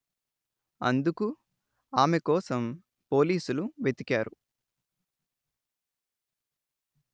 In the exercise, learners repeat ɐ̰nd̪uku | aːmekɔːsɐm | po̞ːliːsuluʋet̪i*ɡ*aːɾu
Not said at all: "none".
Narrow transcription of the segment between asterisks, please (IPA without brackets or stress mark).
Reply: k